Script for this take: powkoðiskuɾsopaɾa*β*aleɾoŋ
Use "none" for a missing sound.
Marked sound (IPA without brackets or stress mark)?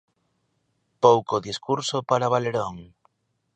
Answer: β